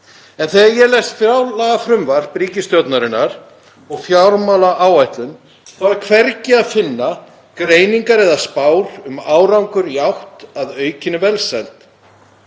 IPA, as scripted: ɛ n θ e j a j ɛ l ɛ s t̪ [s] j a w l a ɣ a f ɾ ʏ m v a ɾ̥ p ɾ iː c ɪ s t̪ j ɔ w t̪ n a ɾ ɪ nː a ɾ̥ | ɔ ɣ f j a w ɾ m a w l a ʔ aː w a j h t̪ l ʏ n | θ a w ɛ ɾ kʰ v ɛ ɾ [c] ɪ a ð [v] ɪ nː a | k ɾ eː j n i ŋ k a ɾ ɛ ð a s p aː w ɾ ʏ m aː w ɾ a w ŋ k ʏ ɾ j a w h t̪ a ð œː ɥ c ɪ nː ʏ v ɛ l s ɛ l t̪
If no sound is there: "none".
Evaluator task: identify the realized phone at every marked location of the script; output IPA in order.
f, c, f

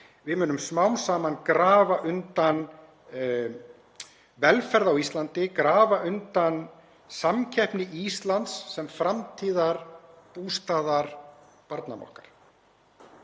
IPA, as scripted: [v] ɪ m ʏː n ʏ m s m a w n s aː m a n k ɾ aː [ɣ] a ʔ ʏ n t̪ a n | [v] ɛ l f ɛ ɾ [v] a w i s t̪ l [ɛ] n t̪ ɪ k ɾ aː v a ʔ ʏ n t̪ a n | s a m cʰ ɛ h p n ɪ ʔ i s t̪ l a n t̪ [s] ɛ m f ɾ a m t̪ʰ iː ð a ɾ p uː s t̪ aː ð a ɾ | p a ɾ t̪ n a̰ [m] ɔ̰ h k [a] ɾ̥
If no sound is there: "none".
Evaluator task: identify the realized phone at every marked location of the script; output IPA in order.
v, v, v, ð, a, sː, m, a

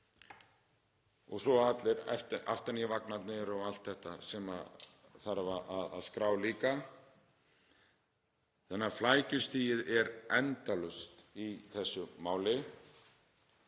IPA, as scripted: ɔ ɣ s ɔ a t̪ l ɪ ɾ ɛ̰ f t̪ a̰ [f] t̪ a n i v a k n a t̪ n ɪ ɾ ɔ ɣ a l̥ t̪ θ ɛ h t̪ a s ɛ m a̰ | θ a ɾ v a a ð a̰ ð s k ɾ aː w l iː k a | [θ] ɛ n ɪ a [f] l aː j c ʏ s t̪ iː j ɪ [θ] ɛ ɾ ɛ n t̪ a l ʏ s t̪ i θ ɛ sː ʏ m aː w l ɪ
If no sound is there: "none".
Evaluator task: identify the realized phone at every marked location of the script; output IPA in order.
f, θ, f, ð

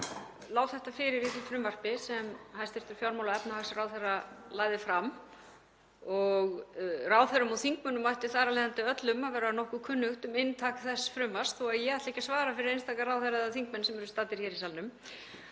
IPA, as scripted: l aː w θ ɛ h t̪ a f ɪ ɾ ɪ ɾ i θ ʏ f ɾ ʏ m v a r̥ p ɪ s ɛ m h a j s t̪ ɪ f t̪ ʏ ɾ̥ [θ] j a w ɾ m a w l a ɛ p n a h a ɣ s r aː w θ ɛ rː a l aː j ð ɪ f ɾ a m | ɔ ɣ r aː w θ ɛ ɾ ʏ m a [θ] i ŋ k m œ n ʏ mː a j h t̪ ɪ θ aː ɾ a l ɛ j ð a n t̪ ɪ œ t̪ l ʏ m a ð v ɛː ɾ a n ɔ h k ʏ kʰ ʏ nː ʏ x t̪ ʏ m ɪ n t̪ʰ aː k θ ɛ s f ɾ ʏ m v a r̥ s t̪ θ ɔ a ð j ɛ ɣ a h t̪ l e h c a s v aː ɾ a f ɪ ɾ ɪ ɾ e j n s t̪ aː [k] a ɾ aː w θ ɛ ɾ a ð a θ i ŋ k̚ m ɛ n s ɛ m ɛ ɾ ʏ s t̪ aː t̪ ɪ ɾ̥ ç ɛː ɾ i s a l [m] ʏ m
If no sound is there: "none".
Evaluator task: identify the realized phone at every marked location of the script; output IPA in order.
f, θ, k, n

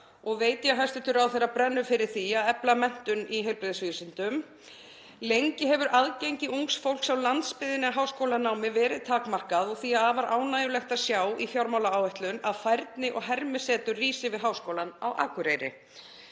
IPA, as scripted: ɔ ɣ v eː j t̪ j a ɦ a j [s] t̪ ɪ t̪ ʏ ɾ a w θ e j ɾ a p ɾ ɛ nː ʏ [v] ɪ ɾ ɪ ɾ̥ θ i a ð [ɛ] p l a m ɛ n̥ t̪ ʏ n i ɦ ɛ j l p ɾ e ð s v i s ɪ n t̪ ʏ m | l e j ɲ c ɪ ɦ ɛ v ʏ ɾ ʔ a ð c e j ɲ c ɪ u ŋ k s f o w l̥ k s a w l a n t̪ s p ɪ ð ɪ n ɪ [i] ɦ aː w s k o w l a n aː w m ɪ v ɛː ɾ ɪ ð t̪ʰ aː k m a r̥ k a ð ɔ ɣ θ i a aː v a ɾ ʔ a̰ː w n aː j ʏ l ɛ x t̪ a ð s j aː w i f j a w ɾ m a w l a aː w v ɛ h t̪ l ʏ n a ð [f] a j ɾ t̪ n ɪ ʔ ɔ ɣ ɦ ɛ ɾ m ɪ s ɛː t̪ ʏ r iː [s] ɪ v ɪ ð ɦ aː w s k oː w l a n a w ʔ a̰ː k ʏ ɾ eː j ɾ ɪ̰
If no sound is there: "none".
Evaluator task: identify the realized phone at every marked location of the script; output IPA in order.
s, f, ɛ, a, f, s

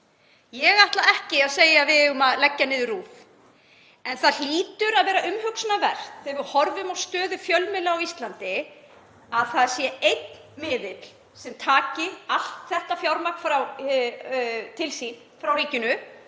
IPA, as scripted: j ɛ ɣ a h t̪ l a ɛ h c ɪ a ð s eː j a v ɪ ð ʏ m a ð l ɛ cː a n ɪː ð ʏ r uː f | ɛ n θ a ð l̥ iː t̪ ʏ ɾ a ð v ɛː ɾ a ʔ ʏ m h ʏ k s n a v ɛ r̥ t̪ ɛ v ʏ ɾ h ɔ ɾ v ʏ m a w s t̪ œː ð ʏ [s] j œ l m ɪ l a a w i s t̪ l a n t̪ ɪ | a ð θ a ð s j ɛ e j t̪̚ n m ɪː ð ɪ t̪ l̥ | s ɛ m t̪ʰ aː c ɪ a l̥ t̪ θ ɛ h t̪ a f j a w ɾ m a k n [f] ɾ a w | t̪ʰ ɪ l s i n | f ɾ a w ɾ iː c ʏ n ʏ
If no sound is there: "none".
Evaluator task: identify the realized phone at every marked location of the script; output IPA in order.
f, f

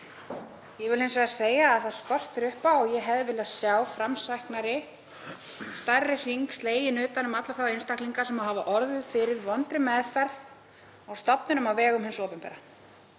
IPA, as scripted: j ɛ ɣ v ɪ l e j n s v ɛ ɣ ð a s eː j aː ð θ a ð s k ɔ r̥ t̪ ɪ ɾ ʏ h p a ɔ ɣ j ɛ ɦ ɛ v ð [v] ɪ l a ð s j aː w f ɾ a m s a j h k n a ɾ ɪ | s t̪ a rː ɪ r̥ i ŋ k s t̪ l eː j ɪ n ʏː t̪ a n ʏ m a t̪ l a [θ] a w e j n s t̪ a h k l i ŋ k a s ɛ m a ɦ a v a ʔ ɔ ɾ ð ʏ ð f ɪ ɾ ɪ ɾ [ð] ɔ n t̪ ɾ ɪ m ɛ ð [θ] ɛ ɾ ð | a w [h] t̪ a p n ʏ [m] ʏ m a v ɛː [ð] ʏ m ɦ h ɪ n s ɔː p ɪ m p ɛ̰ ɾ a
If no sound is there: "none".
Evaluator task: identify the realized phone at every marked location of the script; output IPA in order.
v, θ, v, f, s, n, ɣ

